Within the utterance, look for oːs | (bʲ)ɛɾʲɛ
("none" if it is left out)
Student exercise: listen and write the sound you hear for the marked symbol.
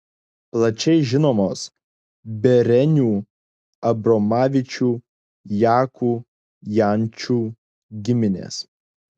bʲ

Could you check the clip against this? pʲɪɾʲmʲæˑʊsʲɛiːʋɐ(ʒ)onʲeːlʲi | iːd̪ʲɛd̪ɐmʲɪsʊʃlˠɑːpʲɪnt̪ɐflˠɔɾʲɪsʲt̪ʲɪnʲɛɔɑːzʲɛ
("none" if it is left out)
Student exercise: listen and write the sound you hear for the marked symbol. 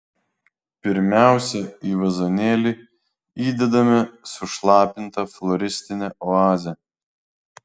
z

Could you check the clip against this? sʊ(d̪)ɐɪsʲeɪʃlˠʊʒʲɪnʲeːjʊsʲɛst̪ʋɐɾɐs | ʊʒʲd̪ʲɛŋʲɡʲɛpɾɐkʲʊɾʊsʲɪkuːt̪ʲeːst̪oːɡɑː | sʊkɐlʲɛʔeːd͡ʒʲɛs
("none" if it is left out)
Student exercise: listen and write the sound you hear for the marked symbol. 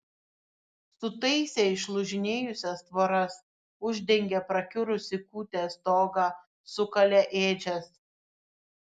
t̪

